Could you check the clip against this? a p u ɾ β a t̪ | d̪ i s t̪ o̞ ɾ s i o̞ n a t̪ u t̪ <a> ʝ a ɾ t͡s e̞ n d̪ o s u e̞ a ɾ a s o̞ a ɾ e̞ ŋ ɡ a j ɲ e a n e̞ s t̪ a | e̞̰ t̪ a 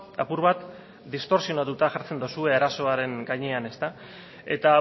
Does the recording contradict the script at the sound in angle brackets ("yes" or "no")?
no